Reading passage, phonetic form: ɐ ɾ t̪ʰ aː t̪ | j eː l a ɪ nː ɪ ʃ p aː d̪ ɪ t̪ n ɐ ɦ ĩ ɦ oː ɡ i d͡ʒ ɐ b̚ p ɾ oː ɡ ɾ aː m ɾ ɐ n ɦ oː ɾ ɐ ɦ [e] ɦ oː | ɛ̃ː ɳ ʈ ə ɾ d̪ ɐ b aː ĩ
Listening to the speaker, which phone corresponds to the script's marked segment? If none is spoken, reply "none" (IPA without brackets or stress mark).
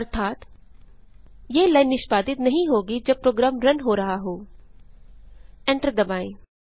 a